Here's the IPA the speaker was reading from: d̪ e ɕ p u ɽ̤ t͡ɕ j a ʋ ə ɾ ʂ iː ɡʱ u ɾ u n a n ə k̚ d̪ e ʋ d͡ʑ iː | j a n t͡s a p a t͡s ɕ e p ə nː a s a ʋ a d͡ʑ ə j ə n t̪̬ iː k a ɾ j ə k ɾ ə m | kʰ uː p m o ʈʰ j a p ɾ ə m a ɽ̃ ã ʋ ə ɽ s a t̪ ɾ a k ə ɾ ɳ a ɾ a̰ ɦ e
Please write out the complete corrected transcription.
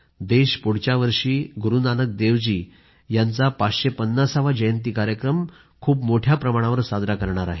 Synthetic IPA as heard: d̪ e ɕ p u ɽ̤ t͡ɕ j a ʋ ə ɾ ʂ iː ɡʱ u ɾ u n a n ə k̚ d̪ e ʋ d͡ʑ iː | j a n t͡s a p a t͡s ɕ e p ə nː a s a ʋ a d͡ʑ ə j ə n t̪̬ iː k a ɾ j ə k ɾ ə m | kʰ uː p m o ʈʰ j a p ɾ ə m a ɽ̃ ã ʋ ə ɾ s a d̪ ɾ a k ə ɾ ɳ a ɾ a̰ ɦ e